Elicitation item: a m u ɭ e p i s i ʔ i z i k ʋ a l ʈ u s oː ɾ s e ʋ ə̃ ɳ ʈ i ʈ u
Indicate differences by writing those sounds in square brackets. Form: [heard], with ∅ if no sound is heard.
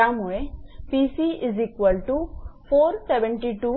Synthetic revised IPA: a m u ɭ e p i s i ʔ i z i k ʋ [ə] l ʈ u [f] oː ɾ s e ʋ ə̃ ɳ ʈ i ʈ u